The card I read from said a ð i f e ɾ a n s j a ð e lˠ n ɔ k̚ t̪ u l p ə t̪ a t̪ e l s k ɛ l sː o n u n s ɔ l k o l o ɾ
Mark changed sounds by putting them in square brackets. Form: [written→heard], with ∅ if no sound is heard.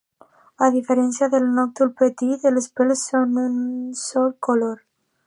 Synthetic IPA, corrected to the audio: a ð i f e ɾ [a→ɛ] n s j a ð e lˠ n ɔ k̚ t̪ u l p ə t̪ [a→i] t̪ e l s [k→p] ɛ l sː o n u n s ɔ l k o l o ɾ

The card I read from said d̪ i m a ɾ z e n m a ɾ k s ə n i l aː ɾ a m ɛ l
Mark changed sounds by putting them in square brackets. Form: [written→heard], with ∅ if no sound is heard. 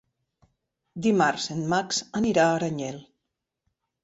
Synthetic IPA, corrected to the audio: d̪ i m a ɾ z e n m a [ɾ→∅] k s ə n i [l→ɾ] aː ɾ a [m→ɲ] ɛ l

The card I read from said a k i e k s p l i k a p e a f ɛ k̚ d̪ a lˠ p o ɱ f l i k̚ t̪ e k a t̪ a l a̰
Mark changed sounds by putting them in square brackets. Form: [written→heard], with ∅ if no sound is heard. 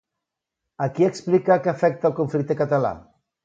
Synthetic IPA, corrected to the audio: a k i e k s p l i k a [p→k] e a f ɛ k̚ [d̪→t̪] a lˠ [p→k] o ɱ f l i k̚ t̪ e k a t̪ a l a̰

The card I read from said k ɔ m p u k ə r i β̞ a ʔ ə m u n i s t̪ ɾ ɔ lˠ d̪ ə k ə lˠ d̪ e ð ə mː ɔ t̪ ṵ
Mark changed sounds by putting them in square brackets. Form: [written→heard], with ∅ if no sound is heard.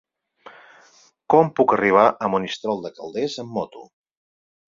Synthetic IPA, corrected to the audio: k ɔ m p u k ə r i β̞ a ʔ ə m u n i s t̪ ɾ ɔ lˠ d̪ ə k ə lˠ d̪ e [ð→z] ə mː ɔ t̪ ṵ

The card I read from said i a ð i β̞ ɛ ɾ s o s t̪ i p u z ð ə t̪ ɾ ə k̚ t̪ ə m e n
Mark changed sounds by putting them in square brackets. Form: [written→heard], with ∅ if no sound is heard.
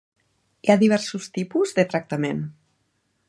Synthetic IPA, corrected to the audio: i a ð i β̞ ɛ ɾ s [o→u] s t̪ i p u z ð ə t̪ ɾ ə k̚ t̪ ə m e n

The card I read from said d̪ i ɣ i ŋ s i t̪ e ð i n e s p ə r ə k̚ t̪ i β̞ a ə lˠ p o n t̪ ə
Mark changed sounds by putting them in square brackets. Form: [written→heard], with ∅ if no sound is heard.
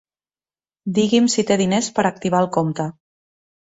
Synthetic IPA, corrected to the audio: d̪ i ɣ i [ŋ→m] s i t̪ e ð i n e s p ə [r→ɾ] ə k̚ t̪ i β̞ a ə lˠ [p→k] o [n→m] t̪ ə

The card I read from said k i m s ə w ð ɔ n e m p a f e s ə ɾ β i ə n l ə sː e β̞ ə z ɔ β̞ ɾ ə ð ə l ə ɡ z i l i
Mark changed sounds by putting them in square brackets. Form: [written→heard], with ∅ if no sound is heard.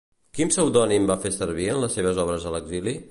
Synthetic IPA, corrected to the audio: k i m s ə w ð ɔ n [e→i] m [p→b] a f e s ə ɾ β i ə n l ə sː e β̞ ə z ɔ β̞ ɾ ə [ð→z] ə l ə ɡ z i l i

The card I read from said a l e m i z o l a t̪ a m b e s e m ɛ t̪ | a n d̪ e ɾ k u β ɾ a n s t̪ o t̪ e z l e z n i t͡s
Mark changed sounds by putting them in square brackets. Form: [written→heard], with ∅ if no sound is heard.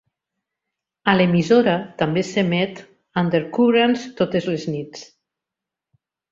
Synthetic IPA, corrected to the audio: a l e m i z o [l→ɾ] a t̪ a m b e s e m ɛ t̪ | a n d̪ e ɾ k u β ɾ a n s t̪ o t̪ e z l e z n i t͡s

